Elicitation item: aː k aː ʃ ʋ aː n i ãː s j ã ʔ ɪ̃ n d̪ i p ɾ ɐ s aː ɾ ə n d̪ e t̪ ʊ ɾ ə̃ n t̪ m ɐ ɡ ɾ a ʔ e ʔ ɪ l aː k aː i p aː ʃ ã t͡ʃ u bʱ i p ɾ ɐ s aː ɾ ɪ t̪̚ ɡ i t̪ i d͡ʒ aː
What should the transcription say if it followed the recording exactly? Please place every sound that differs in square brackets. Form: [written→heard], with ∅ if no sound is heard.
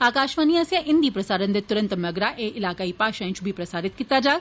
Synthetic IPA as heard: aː k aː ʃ ʋ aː n i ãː s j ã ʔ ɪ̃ n d̪ i p ɾ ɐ s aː ɾ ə n d̪ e t̪ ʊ ɾ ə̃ n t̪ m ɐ ɡ ɾ a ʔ e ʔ ɪ l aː k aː i p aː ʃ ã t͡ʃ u bʱ i p ɾ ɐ s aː ɾ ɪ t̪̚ [ɡ→k] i t̪ [i→a] d͡ʒ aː